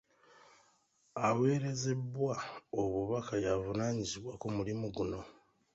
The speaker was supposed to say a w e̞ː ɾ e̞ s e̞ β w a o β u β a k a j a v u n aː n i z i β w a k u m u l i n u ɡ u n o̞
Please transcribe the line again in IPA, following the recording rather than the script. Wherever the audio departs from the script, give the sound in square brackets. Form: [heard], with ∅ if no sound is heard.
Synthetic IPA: a w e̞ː ɾ e̞ [z] e̞ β w a o β u β a k a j a v u n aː [ɲ] i z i β w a k u m u l i [m] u ɡ u n o̞